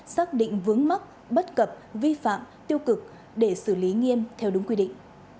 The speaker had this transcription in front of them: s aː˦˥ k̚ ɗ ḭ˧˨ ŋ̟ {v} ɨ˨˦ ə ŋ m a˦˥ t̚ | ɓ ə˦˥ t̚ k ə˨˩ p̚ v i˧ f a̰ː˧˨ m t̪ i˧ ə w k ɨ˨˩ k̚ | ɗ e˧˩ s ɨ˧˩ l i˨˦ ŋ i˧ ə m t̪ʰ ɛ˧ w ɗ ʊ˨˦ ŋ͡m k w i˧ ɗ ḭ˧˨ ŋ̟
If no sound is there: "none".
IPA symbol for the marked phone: v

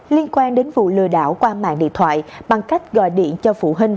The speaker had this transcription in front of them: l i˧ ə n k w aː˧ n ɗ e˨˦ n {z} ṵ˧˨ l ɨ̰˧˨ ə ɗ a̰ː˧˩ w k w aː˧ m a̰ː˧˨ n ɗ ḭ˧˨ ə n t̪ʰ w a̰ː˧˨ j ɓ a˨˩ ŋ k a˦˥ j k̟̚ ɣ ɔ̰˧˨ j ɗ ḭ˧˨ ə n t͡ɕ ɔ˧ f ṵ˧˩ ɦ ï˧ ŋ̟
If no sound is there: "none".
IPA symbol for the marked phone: v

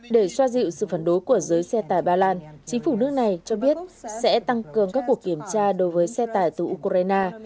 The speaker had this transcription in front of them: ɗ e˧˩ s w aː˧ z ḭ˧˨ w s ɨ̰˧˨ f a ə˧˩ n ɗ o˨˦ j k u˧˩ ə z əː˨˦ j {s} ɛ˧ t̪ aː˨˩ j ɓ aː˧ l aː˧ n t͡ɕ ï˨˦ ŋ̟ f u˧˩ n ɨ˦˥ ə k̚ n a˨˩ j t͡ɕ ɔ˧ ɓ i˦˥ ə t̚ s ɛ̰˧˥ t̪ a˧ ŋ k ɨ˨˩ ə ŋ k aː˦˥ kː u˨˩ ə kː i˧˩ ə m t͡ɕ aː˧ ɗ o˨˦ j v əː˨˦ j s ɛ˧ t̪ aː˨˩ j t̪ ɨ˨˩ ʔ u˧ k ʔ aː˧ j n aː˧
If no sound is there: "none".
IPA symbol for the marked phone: s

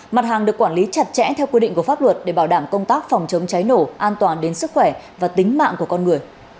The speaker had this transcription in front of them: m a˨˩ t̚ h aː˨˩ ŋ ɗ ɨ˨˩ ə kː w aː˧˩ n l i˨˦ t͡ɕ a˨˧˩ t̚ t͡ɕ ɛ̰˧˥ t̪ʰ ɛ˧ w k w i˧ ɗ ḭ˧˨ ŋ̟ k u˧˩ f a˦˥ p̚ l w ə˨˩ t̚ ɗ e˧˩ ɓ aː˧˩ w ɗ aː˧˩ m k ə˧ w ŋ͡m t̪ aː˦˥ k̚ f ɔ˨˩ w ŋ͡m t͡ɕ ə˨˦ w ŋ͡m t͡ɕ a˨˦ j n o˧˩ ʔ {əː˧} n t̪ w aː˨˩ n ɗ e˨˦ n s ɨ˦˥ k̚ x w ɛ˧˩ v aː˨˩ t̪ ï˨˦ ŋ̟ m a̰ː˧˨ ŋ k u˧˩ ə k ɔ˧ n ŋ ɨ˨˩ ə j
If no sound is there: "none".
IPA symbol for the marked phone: aː˧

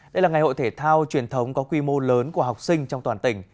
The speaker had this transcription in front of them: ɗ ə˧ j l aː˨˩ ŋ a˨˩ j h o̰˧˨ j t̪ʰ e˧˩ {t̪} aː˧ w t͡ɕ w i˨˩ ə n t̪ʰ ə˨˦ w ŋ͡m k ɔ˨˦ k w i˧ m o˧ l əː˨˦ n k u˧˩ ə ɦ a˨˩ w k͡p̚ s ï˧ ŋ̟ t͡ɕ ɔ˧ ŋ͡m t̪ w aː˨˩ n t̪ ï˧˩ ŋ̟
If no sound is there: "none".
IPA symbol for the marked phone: t̪ʰ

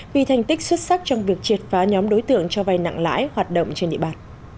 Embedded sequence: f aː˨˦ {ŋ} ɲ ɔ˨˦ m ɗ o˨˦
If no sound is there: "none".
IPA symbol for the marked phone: none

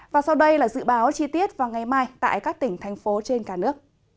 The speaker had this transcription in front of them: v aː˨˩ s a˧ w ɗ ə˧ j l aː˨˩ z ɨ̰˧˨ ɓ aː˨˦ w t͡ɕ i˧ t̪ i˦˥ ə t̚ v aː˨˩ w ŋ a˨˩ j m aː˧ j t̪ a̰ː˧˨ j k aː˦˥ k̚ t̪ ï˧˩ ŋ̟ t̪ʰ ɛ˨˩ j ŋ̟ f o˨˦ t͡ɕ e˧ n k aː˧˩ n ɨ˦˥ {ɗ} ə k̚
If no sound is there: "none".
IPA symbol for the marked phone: none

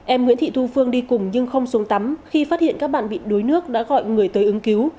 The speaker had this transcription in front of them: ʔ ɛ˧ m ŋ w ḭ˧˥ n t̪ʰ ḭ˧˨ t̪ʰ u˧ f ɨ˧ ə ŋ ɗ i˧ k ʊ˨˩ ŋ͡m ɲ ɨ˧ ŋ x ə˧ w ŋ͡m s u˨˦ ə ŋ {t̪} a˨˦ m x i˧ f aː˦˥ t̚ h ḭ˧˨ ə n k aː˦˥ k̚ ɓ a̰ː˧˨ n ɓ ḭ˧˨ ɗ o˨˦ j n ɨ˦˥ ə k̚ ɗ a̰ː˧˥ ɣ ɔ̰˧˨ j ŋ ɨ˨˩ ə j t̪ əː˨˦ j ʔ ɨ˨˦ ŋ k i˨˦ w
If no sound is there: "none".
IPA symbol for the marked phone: t̪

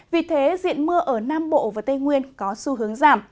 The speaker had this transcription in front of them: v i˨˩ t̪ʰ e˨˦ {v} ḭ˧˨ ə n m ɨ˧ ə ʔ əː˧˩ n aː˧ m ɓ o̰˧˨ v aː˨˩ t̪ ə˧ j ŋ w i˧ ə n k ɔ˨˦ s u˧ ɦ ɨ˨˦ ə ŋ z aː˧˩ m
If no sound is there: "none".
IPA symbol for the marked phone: z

